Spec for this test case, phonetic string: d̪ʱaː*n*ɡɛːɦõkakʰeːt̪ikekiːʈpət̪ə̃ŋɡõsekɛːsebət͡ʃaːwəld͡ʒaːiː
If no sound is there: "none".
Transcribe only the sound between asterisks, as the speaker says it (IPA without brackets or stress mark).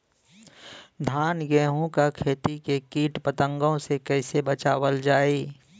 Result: n